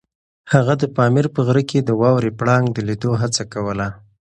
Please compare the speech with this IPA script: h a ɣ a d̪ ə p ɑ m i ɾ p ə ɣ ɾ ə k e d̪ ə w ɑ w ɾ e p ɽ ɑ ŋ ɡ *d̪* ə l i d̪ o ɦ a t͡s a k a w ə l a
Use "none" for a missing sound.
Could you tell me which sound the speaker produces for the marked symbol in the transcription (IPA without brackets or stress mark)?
d̪